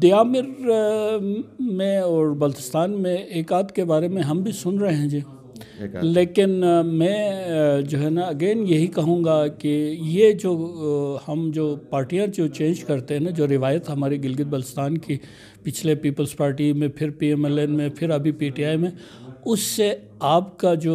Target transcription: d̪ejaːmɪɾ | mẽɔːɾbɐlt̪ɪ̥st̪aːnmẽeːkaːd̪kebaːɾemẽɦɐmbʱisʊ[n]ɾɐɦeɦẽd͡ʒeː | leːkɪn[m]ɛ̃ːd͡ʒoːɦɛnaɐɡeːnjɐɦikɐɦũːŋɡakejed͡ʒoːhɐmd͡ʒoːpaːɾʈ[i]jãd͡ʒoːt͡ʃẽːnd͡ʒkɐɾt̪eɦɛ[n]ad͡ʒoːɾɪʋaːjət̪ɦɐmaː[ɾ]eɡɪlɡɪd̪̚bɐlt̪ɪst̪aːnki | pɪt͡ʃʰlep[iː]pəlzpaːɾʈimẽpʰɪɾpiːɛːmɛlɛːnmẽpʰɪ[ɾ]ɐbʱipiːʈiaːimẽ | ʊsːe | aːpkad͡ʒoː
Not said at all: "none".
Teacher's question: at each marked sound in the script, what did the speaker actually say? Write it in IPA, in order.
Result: n, m, i, n, ɾ, iː, ɾ

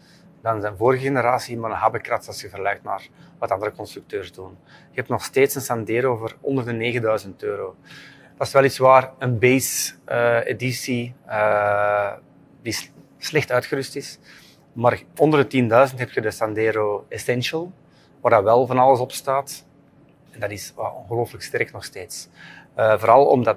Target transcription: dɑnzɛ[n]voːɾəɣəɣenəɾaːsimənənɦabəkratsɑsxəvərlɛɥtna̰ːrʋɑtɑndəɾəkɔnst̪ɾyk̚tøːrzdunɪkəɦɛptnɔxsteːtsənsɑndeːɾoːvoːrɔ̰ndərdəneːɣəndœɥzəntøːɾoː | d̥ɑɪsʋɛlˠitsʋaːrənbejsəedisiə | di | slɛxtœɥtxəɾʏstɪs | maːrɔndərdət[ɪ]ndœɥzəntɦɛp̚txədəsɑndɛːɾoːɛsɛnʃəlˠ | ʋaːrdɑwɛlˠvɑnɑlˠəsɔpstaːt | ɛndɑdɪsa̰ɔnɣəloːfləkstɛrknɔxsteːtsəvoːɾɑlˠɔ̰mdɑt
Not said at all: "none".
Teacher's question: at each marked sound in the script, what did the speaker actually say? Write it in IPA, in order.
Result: n, i

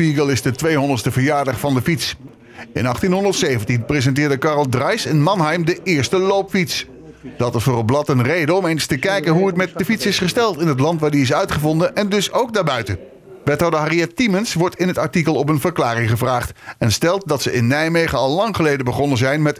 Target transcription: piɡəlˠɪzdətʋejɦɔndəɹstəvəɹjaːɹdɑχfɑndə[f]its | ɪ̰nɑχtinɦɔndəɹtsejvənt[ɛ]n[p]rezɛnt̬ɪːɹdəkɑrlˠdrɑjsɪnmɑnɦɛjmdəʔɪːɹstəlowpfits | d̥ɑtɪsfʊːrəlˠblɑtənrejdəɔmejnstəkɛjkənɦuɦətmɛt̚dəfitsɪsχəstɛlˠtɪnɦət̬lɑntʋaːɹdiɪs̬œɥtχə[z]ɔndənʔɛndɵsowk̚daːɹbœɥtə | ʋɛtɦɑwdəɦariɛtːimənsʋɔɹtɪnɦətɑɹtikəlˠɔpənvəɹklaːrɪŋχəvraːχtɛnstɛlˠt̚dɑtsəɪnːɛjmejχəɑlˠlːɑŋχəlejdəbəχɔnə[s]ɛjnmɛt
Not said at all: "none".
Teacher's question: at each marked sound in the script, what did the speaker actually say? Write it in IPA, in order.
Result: f, i, p, v, z

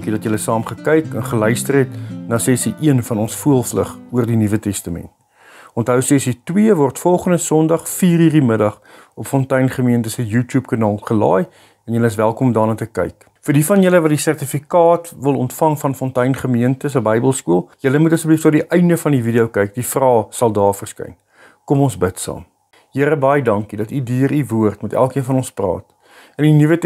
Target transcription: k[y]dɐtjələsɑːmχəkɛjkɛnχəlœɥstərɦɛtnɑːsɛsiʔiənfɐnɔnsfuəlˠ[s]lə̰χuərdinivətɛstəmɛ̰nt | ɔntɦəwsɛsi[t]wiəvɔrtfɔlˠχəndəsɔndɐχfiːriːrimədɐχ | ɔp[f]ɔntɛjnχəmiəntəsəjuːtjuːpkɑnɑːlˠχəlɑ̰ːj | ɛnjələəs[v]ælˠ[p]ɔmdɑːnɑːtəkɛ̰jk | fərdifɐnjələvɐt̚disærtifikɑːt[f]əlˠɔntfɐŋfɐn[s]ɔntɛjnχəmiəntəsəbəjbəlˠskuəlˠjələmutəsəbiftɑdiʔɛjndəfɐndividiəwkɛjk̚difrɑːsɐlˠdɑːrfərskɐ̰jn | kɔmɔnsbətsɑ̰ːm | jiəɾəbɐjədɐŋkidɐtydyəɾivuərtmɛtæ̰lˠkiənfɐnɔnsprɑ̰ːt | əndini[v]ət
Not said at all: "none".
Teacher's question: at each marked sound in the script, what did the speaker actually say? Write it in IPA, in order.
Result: i, f, t, f, v, k, v, f, v

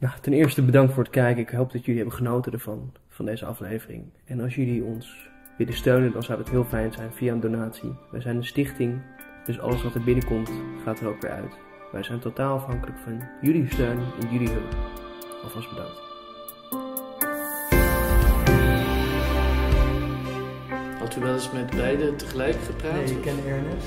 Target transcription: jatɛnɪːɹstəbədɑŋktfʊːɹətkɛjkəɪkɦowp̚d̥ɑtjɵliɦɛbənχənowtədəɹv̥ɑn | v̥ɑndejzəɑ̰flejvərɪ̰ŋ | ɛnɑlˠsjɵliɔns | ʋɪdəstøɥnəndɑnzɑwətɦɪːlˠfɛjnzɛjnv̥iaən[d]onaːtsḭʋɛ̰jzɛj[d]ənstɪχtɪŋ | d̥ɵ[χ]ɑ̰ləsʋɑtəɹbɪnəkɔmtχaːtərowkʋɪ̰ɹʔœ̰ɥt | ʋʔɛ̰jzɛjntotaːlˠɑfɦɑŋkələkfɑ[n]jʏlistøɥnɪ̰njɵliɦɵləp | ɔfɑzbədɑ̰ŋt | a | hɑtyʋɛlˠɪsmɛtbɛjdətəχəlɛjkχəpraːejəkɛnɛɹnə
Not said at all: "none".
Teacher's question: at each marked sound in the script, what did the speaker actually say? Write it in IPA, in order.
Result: d, n, s, n

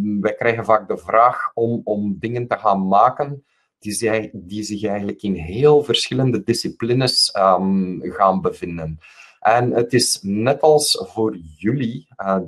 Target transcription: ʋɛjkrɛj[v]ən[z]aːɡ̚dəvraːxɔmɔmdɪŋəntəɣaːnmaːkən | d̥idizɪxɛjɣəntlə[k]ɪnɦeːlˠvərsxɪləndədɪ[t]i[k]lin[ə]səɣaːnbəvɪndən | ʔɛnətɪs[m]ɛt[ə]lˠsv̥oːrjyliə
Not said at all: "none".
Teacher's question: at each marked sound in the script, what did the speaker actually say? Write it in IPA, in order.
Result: ɣ, v, k, s, p, ə, n, ɑ

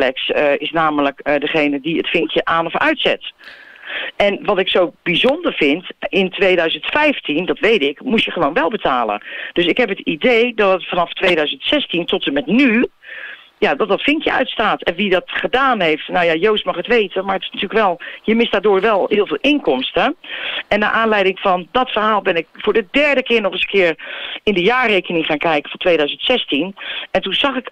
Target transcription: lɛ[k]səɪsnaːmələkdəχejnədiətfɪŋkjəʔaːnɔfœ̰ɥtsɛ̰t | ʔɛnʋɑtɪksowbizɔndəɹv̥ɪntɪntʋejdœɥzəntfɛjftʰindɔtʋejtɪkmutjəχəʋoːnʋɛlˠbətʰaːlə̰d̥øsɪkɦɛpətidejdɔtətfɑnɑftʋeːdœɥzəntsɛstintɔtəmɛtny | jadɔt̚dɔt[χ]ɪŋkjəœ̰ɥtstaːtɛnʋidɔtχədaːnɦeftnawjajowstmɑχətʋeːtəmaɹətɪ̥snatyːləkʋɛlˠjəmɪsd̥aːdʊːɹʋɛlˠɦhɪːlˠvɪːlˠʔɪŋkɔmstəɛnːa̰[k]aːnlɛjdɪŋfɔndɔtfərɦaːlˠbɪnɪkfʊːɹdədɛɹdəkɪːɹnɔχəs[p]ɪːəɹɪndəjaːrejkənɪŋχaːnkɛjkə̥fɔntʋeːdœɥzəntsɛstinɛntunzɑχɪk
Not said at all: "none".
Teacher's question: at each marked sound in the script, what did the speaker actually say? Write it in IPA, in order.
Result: k, f, ʔ, k

